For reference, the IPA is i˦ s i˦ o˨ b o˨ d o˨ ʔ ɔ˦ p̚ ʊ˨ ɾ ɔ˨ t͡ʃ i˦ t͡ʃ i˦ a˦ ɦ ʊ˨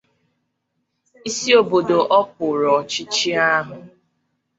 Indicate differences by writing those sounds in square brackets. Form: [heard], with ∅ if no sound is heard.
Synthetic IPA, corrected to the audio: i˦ s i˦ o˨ b o˨ d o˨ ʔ ɔ˦ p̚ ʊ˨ ɾ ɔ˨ t͡ʃ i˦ t͡ʃ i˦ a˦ ɦ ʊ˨